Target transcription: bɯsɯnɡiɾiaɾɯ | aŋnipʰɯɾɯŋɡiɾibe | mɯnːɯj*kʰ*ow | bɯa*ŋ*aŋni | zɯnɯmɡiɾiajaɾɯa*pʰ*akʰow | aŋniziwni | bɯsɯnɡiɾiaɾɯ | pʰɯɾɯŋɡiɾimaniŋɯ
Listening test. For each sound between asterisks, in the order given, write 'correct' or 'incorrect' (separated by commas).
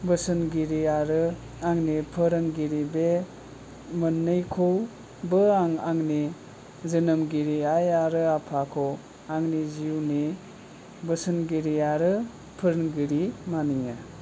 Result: correct, correct, correct